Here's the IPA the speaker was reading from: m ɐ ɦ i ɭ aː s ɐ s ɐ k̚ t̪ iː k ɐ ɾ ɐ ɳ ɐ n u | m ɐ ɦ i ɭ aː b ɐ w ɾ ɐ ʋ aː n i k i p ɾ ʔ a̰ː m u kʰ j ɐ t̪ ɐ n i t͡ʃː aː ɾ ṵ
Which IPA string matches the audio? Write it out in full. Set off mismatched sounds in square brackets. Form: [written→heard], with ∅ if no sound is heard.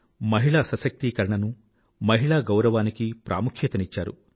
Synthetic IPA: m ɐ ɦ i ɭ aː s ɐ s ɐ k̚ t̪ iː k ɐ ɾ ɐ ɳ ɐ n u | m ɐ ɦ i ɭ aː [b→ɡ] ɐ w ɾ ɐ ʋ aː n i k i p ɾ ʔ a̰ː m u kʰ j ɐ t̪ ɐ n i t͡ʃː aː ɾ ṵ